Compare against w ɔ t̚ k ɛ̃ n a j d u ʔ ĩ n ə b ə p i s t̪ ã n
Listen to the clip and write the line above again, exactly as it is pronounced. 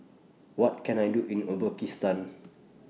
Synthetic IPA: w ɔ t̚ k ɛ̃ n a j d u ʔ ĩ n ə b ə k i s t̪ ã n